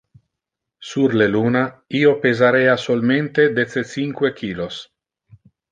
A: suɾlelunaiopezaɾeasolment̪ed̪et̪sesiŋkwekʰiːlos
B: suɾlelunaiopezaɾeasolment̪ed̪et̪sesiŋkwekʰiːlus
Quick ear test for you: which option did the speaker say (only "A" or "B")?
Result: A